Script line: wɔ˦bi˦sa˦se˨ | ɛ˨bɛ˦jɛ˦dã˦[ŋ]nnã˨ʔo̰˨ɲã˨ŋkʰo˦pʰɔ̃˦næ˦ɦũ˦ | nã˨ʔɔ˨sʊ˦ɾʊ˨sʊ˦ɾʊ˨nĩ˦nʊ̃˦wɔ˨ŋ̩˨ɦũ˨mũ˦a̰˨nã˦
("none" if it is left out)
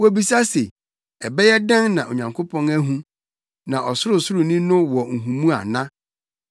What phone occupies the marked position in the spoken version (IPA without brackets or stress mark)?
none